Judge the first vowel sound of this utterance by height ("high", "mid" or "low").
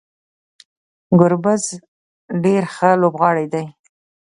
high